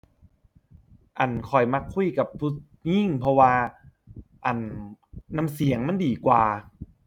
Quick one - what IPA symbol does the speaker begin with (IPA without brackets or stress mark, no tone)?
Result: ʔ